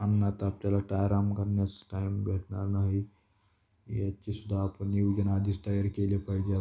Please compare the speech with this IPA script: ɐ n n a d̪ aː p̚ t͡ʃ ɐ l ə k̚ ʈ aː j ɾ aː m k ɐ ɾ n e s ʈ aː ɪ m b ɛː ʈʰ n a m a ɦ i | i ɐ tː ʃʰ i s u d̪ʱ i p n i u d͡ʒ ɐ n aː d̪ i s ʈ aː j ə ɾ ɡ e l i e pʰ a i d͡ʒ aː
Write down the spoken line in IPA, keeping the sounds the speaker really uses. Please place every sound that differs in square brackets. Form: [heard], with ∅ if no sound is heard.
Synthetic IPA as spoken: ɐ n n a [t̪] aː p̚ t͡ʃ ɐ l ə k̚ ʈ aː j ɾ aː m k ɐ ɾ n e s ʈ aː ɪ m b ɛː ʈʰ n a [n] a ɦ i | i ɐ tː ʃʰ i s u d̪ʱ [a] p n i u d͡ʒ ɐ n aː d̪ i s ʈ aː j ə ɾ [k] e l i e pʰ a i d͡ʒ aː